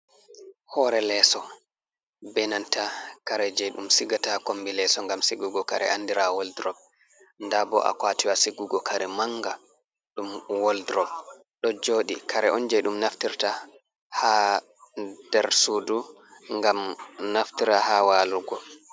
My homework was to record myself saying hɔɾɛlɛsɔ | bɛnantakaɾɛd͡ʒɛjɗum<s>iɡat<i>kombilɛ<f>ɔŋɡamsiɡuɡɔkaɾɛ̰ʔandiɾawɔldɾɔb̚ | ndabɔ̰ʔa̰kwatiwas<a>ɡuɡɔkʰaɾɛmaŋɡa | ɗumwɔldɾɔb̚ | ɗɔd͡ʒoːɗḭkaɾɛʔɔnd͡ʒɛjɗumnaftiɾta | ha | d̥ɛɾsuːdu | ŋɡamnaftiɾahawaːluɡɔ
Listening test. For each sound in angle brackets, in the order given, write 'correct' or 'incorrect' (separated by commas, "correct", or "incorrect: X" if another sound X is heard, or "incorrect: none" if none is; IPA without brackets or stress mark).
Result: correct, incorrect: a, incorrect: s, incorrect: i